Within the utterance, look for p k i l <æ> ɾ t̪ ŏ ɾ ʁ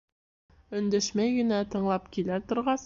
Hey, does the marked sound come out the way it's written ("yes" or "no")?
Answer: yes